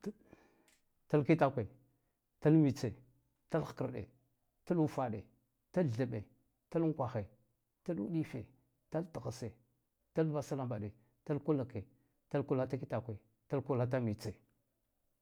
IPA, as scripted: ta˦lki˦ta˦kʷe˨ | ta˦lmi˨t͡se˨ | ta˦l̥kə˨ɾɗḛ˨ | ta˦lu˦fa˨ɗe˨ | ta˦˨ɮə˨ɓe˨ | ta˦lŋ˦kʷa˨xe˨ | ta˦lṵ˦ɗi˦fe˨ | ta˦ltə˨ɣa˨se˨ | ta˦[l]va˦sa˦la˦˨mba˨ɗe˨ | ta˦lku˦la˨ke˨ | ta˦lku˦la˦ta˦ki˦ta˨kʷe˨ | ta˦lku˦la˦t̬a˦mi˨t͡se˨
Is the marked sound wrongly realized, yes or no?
no